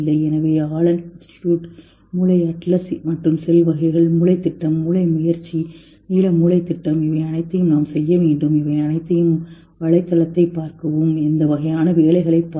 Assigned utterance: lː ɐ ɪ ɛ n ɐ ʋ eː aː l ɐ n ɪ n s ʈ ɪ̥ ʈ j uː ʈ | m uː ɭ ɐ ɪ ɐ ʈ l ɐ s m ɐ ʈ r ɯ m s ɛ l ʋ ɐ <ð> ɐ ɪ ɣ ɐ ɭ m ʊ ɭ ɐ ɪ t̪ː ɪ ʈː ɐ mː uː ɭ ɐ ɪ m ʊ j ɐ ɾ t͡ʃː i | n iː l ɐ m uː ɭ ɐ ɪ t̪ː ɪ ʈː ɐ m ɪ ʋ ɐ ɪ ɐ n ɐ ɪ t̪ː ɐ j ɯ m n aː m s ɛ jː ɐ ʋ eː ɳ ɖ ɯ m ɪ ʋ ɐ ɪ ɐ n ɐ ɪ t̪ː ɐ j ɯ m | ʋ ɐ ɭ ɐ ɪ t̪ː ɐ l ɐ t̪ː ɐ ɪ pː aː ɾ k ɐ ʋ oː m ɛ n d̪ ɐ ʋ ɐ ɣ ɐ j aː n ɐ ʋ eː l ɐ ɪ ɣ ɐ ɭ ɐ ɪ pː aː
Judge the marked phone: incorrect: ɣ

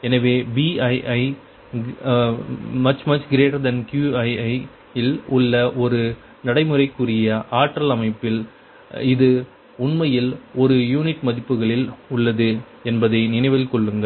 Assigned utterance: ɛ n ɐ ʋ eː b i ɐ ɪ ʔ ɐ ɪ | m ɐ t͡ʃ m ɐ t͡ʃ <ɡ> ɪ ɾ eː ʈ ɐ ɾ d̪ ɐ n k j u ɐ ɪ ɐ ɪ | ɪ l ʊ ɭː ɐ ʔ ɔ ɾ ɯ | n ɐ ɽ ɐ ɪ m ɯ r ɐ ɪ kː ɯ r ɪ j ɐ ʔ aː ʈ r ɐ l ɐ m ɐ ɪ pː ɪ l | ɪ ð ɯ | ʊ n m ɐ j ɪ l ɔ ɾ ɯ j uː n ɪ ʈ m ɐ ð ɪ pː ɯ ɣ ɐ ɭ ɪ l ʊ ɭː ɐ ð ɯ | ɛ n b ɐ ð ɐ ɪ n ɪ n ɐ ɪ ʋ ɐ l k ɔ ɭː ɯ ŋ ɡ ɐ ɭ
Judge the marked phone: correct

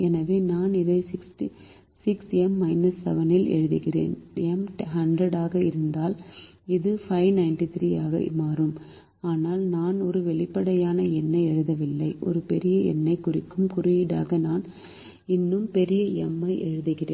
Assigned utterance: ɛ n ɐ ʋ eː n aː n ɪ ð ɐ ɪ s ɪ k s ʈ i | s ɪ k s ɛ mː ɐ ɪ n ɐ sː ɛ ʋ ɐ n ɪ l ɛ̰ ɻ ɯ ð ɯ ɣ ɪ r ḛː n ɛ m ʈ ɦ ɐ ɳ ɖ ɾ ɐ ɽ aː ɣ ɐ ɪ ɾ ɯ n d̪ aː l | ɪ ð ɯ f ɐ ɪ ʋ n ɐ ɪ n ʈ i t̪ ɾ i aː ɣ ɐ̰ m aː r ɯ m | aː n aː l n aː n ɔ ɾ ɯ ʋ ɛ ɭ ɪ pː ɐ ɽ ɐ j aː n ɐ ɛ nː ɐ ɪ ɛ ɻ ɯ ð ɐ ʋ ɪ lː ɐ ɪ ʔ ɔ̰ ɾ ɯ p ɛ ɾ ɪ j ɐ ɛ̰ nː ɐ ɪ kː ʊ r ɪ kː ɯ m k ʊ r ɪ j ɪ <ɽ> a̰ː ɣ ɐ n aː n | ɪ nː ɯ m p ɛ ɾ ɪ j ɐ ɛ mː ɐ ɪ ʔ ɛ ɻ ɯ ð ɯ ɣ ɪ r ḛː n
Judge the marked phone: correct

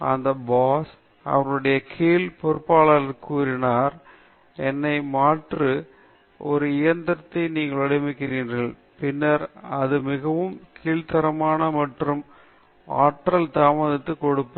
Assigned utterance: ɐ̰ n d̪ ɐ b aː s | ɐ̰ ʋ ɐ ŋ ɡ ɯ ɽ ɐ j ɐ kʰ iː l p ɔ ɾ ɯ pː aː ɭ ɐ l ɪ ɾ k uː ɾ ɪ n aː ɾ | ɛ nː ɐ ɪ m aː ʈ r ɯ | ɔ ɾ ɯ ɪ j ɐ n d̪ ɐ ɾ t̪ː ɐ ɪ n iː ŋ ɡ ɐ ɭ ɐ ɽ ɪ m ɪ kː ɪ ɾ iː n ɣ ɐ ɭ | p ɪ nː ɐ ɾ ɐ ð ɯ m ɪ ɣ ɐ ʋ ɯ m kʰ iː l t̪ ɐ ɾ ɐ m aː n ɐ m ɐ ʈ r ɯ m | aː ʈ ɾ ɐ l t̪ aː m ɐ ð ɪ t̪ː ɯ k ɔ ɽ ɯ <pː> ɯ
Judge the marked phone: correct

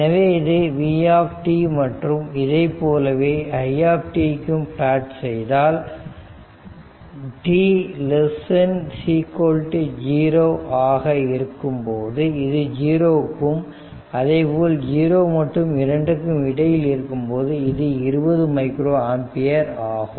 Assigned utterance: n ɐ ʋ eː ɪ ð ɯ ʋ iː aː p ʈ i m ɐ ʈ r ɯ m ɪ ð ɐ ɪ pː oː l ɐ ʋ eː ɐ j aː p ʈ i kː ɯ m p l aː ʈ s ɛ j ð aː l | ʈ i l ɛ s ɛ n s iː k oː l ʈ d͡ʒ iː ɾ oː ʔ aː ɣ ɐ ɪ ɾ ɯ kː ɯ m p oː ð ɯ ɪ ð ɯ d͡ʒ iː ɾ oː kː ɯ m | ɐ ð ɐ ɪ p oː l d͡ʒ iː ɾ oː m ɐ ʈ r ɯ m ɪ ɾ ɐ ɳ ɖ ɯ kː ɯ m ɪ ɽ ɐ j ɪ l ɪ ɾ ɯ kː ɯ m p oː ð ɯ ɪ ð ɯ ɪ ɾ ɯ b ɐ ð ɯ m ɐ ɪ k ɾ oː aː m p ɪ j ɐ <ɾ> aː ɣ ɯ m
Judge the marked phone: correct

